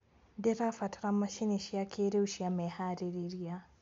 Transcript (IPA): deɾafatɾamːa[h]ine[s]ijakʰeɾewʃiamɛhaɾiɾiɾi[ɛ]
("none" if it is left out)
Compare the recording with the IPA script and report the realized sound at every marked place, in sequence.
ʃ, ʃ, a

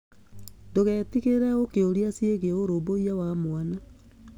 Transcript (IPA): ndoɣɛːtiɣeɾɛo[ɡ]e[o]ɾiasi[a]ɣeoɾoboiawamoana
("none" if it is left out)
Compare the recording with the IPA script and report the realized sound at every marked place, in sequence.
k, o, e

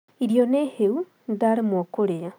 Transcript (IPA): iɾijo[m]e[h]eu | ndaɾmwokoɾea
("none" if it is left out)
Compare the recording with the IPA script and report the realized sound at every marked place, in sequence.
n, h

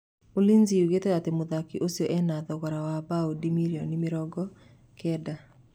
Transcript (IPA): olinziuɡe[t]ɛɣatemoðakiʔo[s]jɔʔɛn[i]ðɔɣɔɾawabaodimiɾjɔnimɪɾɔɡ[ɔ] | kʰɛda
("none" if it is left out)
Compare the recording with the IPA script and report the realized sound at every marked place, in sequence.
t, s, a, ɔ

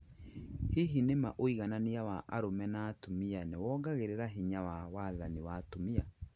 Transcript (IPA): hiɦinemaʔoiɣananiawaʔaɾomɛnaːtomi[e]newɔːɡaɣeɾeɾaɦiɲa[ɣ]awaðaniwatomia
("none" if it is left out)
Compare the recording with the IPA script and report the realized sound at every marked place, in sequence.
a, w

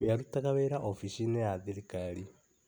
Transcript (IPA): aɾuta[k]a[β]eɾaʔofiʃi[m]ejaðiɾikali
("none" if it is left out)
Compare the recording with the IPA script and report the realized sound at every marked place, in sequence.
k, β, n

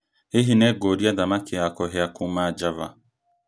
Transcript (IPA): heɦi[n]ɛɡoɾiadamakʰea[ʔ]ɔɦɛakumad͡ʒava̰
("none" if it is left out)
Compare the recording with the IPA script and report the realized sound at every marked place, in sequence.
n, k

